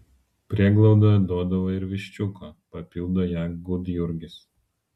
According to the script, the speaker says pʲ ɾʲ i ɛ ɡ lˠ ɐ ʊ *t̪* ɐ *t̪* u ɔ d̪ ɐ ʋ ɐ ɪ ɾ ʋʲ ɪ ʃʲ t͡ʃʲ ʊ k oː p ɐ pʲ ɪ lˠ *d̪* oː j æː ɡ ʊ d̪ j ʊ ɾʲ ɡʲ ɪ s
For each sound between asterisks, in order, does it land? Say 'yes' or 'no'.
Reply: no, no, yes

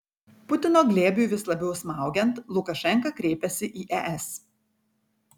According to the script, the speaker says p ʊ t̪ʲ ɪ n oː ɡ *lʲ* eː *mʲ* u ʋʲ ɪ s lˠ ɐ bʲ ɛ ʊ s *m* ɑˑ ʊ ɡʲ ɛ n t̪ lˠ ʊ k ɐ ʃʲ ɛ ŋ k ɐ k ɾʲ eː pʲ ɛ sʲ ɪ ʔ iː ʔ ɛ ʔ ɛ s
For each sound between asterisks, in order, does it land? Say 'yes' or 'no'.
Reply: yes, no, yes

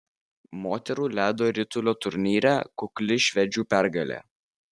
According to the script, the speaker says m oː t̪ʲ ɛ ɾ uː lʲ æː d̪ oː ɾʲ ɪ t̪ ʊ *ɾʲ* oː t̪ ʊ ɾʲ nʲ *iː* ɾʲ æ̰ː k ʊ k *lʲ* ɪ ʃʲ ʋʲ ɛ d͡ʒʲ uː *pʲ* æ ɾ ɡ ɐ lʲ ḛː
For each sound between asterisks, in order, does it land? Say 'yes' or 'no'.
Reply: no, yes, yes, yes

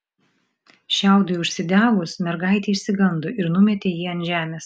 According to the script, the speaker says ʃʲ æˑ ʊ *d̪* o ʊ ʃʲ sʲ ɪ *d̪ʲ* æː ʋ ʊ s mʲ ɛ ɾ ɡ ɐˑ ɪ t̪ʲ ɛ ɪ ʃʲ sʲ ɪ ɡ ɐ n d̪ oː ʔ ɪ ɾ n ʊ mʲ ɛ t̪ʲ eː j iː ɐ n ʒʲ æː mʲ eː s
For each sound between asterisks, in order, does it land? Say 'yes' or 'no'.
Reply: yes, yes

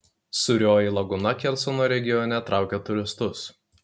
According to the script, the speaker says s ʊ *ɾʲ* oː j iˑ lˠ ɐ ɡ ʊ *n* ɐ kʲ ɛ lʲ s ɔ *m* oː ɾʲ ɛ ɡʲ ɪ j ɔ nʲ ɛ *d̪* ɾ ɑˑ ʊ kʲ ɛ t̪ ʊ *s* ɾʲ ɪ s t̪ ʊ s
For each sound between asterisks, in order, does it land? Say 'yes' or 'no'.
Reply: yes, yes, no, no, no

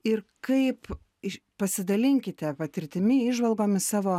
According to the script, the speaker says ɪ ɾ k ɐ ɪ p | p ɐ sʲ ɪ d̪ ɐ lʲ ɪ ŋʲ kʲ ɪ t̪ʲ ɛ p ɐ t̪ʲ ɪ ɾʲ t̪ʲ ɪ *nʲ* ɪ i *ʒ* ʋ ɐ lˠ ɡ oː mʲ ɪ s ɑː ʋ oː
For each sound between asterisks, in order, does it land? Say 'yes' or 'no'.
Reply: no, yes

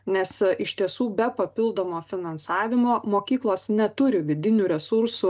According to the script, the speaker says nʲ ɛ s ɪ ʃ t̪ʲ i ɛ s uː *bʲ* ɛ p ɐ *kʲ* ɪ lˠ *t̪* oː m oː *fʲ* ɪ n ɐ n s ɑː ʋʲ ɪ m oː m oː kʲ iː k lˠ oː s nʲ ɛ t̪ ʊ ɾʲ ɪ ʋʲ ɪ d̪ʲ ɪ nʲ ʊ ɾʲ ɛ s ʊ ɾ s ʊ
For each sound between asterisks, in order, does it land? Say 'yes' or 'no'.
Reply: yes, no, no, yes

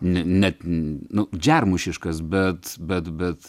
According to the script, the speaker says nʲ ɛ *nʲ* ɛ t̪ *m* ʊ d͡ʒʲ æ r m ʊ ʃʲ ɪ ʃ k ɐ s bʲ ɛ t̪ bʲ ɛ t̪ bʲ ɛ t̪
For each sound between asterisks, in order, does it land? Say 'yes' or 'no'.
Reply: yes, no

